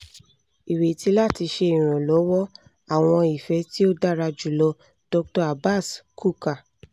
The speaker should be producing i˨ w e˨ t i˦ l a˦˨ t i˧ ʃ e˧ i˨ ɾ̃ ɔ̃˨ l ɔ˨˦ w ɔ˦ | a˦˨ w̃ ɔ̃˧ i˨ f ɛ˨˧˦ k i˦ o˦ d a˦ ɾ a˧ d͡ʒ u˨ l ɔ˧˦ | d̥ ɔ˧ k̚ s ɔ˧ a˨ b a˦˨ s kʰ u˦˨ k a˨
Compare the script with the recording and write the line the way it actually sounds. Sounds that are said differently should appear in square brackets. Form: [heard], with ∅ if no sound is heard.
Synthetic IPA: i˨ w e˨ t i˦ l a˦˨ t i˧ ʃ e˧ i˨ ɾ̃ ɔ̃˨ l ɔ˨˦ w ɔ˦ | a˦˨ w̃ ɔ̃˧ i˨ f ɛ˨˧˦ [t] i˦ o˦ d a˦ ɾ a˧ d͡ʒ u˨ l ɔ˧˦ | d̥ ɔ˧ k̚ [t] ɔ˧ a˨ b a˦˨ s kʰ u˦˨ k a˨